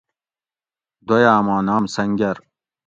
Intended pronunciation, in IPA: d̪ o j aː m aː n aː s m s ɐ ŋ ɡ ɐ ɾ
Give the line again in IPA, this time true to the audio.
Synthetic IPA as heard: d̪ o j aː m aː n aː m s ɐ ŋ ɡ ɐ ɾ